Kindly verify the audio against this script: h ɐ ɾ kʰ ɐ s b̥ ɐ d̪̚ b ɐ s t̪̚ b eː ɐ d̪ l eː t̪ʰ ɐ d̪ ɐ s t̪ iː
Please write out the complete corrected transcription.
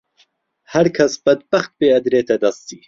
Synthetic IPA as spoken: h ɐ ɾ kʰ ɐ s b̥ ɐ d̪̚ b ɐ x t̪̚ b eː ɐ d̪ ɾ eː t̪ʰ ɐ d̪ ɐ s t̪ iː